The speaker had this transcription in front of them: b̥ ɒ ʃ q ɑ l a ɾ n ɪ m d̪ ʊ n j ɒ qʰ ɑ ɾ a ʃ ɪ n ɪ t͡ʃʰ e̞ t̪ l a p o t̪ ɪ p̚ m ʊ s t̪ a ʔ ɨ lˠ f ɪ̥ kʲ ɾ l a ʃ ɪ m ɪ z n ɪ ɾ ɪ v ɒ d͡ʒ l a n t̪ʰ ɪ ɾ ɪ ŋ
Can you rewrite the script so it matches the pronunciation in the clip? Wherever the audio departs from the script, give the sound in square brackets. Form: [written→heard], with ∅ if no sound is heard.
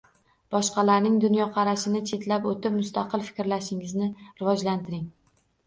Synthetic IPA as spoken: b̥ ɒ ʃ q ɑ l a ɾ n ɪ [m→ŋ] d̪ ʊ n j ɒ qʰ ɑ ɾ a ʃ ɪ n ɪ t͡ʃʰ e̞ t̪ l a p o t̪ ɪ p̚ m ʊ s t̪ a [ʔ→q] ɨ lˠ f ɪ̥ kʲ ɾ l a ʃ ɪ [m→ŋ] ɪ z n ɪ ɾ ɪ v ɒ d͡ʒ l a n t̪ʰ ɪ ɾ ɪ ŋ